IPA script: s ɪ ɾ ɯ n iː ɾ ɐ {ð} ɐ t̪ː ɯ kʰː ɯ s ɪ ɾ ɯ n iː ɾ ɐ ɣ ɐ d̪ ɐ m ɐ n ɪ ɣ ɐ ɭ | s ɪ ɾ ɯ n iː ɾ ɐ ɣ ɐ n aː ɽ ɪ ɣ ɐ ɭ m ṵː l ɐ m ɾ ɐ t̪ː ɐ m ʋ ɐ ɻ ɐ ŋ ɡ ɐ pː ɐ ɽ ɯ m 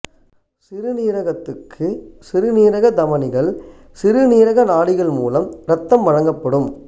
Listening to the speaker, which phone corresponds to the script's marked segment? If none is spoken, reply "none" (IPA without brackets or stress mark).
ɣ